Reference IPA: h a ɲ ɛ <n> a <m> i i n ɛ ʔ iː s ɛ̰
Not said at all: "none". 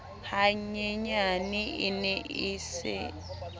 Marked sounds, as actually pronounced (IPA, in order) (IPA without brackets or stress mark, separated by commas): ɲ, n